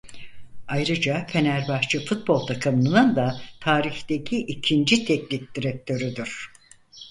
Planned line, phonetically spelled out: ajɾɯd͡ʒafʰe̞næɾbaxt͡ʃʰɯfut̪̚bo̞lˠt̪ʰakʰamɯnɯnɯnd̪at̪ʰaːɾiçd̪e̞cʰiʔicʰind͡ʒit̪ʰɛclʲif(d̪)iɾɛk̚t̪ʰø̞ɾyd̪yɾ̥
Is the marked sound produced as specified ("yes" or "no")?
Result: yes